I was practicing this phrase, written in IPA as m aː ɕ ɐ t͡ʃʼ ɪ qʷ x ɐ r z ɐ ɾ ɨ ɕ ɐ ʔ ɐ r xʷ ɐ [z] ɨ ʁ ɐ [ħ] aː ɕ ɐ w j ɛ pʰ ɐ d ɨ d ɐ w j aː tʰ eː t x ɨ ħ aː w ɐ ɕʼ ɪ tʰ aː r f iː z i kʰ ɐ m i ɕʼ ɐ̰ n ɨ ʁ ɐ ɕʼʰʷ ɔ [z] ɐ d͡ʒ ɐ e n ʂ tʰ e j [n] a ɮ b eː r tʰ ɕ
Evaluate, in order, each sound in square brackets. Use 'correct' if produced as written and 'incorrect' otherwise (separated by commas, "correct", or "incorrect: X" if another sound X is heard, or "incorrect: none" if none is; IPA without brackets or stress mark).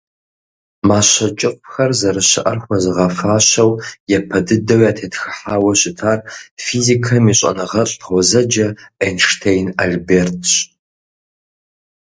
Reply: correct, incorrect: f, correct, correct